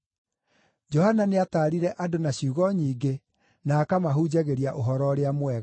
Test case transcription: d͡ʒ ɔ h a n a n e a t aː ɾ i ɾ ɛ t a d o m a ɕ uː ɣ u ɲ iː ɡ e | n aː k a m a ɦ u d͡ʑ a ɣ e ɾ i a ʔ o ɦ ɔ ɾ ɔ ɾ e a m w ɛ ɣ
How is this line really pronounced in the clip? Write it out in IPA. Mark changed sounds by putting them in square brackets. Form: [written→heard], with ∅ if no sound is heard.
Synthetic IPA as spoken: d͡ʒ ɔ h a n a n e a t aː ɾ i ɾ ɛ [t→ʔ] a d o [m→n] a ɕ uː ɣ [u→ɔ] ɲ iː ɡ e | n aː k a m a ɦ u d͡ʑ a ɣ e ɾ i a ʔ o ɦ ɔ ɾ ɔ ɾ e a m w ɛ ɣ